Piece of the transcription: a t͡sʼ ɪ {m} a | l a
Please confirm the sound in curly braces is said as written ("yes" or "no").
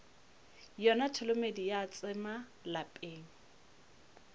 yes